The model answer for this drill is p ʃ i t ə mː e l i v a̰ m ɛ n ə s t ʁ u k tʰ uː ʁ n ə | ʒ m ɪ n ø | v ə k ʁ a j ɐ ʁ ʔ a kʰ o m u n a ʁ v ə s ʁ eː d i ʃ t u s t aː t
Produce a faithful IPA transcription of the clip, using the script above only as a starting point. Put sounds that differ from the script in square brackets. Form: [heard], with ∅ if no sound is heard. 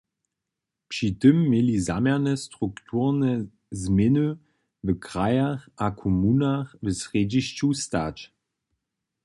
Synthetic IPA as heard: p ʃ i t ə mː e l i [z] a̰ m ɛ n ə s t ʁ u k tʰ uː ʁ n ə | [z] m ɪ n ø | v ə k ʁ a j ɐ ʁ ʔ a kʰ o m u n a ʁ v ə s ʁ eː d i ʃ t u s t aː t